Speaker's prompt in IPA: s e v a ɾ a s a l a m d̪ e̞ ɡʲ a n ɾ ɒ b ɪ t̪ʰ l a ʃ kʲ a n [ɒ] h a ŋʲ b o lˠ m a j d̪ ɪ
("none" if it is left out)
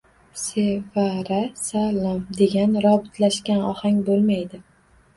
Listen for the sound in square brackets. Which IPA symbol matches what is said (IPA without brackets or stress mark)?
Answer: ɒ